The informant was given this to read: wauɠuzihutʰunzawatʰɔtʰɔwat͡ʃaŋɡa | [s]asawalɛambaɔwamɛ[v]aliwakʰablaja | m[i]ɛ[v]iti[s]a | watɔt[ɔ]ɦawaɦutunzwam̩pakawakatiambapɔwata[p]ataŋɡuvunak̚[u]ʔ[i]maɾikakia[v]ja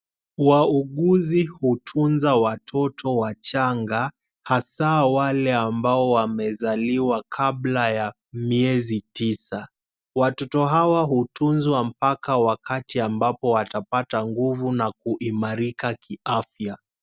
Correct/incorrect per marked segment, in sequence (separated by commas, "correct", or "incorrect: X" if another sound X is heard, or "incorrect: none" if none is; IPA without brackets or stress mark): incorrect: h, incorrect: z, correct, incorrect: z, correct, correct, correct, correct, correct, incorrect: f